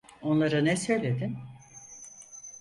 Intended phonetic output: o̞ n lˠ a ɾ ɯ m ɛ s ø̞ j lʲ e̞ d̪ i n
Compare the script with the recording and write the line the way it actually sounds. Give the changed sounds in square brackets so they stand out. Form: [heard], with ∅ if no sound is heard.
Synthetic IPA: o̞ n lˠ a ɾ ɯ [n] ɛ s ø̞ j lʲ e̞ d̪ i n

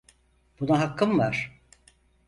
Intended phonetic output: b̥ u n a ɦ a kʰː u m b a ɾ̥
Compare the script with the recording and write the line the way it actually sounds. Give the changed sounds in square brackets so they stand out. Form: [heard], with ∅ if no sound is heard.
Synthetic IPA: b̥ u n a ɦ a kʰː [ɯ] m [v] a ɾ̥

